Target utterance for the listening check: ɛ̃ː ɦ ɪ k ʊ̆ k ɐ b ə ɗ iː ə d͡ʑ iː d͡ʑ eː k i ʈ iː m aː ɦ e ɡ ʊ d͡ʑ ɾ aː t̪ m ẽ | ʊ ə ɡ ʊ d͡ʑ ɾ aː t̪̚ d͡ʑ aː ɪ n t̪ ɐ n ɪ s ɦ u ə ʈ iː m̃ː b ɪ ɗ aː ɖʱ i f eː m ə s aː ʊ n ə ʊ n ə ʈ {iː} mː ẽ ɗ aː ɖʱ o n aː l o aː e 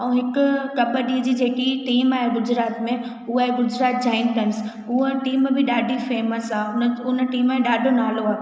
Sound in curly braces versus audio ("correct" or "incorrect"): correct